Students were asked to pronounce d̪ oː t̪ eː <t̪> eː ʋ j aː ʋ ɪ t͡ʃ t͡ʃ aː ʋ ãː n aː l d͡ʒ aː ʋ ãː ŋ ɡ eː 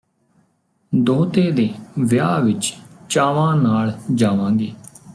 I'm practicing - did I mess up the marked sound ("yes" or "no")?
yes